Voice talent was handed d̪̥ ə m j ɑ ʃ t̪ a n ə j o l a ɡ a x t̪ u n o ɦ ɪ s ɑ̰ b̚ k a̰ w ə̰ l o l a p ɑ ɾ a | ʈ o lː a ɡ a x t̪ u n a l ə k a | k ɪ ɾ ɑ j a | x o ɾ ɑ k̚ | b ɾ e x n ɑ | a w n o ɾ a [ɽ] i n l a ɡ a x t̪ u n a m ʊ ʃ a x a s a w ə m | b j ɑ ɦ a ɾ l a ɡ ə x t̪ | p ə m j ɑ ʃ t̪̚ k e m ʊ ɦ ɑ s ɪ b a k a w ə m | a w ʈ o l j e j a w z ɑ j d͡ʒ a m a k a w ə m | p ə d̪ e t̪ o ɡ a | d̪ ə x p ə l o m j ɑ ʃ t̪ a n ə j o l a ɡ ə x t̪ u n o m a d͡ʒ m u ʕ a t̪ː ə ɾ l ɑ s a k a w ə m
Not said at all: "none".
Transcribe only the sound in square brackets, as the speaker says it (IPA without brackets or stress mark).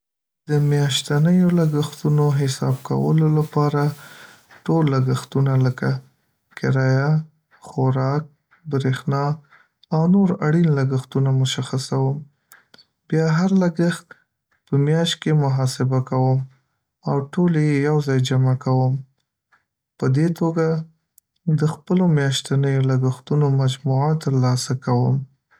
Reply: ɽ